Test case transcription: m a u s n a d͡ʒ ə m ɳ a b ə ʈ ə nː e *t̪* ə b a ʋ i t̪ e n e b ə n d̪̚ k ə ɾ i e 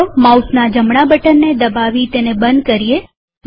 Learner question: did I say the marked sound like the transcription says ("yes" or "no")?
no